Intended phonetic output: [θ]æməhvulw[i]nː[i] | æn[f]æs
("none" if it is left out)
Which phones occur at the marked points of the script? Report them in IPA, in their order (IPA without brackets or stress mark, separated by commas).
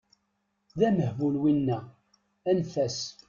ð, i, æ, f